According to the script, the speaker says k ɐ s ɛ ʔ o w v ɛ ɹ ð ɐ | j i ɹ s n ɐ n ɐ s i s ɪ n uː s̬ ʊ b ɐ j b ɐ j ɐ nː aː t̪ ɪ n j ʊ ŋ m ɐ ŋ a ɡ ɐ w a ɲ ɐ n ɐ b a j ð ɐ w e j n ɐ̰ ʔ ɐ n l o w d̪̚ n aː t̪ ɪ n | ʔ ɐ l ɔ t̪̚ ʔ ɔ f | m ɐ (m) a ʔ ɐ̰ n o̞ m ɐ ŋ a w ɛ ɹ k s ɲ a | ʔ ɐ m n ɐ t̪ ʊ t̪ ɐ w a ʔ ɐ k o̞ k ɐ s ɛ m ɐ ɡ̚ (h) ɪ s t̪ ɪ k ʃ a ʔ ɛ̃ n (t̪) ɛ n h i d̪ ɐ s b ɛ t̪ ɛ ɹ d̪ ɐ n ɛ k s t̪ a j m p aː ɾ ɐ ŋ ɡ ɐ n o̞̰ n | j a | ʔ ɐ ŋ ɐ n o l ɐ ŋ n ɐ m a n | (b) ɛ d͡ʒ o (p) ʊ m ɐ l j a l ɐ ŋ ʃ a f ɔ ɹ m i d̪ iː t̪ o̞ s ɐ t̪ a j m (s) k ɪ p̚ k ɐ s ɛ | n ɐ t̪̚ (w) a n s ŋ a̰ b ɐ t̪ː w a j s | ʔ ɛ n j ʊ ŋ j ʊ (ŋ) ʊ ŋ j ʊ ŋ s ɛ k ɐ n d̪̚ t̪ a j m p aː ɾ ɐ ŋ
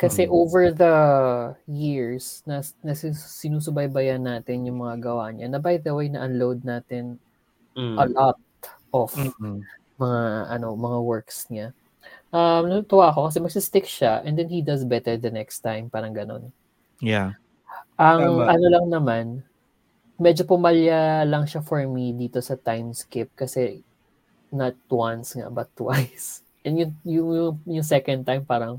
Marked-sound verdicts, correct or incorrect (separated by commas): incorrect, incorrect, incorrect, incorrect, correct, correct, correct, correct